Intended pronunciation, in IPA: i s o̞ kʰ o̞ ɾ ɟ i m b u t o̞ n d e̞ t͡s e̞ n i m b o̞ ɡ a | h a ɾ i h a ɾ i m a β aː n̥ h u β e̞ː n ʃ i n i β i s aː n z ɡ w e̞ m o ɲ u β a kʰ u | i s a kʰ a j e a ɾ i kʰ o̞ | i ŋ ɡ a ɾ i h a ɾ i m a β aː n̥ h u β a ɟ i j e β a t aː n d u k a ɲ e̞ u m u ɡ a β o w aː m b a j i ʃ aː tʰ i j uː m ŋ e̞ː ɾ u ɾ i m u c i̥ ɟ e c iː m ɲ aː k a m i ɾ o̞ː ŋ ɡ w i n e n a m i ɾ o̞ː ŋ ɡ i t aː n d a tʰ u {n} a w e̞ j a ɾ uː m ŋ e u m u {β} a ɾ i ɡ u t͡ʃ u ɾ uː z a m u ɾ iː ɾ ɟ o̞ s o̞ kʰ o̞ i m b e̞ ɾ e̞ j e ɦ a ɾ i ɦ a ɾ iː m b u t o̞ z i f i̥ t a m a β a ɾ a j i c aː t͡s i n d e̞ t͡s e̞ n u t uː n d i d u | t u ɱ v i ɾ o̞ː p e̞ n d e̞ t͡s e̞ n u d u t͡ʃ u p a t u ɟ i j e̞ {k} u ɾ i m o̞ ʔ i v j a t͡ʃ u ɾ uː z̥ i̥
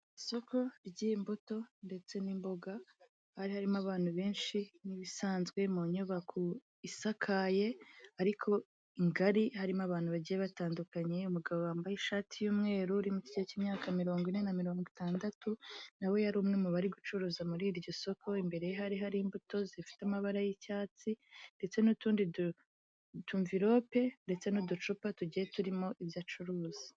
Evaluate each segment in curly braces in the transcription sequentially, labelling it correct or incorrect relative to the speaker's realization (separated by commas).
correct, correct, incorrect